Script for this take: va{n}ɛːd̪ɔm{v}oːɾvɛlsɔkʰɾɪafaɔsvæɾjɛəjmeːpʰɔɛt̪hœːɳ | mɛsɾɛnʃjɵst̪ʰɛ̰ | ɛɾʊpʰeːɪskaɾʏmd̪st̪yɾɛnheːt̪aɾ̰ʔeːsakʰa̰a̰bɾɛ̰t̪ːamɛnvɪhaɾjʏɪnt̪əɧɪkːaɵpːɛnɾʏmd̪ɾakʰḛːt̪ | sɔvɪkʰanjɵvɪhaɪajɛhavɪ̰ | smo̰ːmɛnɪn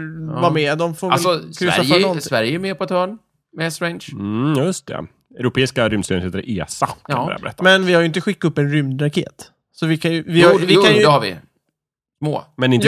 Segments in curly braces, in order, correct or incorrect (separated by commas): incorrect, incorrect